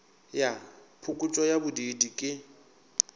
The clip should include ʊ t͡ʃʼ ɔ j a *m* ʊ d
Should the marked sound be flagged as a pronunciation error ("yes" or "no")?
yes